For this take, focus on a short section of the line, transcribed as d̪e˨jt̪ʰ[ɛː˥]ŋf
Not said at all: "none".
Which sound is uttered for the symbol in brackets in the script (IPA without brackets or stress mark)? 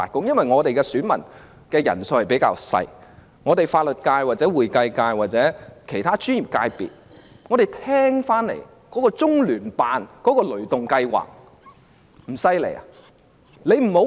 ɛː˥